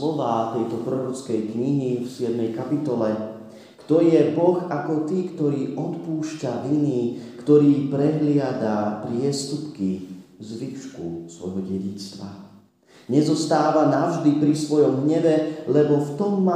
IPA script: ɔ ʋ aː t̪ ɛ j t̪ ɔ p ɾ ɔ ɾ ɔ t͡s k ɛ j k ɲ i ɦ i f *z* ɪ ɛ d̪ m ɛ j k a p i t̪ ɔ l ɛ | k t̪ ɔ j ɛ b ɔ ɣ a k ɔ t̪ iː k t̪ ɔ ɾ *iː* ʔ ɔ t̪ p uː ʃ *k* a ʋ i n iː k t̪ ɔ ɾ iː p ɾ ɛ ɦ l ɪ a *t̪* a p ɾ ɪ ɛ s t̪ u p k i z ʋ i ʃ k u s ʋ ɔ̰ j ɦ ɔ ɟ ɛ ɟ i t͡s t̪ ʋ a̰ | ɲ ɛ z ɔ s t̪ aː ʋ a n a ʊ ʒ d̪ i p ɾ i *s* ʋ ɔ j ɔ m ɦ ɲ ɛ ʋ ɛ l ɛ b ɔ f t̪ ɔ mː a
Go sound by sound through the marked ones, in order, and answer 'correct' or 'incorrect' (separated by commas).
incorrect, correct, incorrect, incorrect, correct